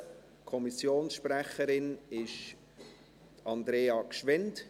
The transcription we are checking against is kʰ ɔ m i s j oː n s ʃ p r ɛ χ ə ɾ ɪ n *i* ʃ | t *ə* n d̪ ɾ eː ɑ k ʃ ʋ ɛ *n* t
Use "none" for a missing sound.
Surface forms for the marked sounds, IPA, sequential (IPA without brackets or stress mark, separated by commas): ɪ, ɑ, n